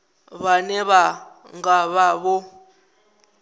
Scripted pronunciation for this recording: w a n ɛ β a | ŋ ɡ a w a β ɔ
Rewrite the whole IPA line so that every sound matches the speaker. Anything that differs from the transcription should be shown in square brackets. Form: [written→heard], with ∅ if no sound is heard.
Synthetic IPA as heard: [w→β] a n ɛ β a | ŋ ɡ a [w→β] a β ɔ